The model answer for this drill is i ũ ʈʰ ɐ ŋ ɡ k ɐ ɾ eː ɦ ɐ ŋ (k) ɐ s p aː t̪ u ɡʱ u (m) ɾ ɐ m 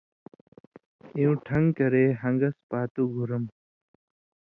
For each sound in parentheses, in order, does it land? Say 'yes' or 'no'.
no, no

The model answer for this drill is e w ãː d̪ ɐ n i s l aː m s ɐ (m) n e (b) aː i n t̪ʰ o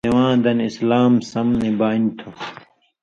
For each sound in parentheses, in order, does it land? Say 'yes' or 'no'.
yes, yes

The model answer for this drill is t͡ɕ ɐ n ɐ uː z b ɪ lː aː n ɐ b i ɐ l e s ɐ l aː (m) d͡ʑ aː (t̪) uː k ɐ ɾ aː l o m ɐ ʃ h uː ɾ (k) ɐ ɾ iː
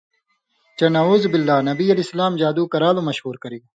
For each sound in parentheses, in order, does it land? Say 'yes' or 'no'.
yes, no, yes

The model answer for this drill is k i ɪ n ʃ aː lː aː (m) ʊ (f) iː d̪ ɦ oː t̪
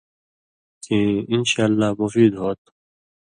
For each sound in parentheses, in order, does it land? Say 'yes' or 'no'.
yes, yes

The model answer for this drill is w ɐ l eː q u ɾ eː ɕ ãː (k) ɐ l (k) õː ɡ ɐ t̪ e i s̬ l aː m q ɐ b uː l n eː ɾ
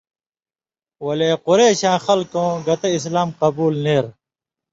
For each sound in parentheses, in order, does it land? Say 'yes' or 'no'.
no, yes

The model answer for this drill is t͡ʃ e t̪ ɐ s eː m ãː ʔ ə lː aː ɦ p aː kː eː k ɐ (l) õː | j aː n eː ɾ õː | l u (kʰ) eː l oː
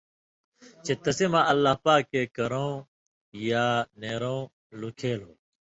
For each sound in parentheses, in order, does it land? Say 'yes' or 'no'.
no, yes

